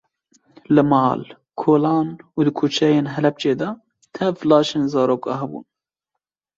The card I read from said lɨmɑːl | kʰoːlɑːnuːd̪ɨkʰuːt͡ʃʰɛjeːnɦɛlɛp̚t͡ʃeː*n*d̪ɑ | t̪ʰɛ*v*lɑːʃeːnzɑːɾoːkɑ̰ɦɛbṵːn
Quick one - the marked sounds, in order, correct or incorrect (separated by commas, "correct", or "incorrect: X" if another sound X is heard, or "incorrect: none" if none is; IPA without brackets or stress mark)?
incorrect: none, correct